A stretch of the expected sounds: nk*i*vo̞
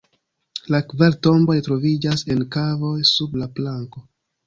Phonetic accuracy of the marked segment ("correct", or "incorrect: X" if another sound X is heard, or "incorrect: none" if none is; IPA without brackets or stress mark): incorrect: a